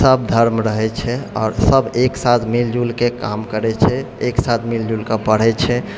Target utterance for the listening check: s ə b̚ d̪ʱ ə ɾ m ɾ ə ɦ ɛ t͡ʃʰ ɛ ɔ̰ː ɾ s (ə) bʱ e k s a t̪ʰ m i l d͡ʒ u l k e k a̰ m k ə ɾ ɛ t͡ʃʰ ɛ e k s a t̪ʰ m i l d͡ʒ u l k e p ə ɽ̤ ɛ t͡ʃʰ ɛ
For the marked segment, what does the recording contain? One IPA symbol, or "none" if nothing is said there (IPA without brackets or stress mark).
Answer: ə